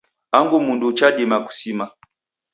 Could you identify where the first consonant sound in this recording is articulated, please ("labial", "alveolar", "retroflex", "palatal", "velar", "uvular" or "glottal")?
velar